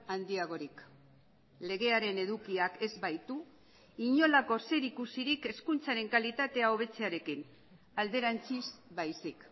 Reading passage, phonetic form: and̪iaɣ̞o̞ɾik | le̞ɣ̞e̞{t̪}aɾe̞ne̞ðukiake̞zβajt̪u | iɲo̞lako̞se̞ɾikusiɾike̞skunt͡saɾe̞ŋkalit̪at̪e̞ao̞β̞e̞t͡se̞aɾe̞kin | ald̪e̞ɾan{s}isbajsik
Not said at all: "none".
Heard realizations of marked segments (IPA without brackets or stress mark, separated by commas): none, t͡s